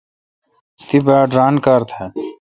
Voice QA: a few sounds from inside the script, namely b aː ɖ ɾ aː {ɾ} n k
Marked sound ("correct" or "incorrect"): incorrect